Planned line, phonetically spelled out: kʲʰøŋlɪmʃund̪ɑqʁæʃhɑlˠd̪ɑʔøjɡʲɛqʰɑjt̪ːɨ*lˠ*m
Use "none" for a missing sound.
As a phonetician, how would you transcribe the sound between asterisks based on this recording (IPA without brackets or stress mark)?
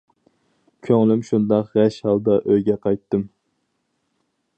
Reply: none